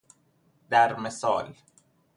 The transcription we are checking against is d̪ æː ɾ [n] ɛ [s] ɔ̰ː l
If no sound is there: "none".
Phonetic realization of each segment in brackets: m, s

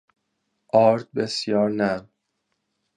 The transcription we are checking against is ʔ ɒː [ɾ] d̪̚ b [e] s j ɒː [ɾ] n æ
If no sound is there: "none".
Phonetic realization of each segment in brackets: ɾ, e, ɾ

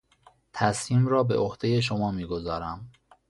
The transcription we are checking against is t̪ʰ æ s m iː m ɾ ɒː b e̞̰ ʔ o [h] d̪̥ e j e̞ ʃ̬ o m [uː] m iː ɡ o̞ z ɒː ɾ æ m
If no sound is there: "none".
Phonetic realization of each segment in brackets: h, ɒː

